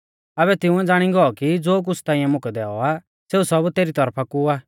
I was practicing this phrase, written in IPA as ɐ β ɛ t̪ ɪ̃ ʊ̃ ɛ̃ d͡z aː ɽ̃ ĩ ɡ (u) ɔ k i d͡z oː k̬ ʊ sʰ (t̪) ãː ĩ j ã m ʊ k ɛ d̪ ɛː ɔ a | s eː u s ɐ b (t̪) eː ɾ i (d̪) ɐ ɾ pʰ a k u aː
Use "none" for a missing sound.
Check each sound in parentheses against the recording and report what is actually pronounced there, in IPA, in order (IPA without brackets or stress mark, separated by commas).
ɔ, t̪, t̪, t̪